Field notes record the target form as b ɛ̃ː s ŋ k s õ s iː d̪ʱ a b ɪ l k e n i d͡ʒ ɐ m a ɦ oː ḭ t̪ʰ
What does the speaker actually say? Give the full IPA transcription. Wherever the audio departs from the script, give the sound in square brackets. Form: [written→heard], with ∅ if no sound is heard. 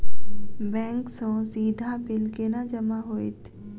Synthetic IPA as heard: b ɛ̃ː [s→∅] ŋ k s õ s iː d̪ʱ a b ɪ l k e n [i→a] d͡ʒ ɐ m a ɦ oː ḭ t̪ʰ